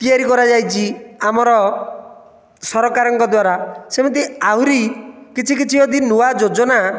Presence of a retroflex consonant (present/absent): absent